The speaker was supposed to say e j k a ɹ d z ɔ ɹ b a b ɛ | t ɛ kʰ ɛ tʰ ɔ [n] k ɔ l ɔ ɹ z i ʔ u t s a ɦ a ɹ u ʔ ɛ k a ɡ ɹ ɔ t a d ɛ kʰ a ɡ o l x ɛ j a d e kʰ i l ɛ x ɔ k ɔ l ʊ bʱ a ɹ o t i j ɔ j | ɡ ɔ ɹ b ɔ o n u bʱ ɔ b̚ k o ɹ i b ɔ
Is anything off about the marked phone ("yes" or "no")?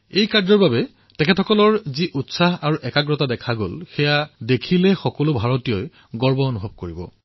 yes